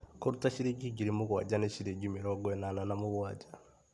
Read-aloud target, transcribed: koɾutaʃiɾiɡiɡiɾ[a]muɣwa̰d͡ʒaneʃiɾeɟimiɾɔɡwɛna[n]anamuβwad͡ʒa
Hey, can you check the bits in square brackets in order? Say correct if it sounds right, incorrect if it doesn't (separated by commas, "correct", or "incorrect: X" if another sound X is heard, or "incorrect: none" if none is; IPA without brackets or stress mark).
incorrect: i, correct